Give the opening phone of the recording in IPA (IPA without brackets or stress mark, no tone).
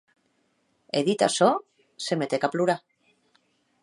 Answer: e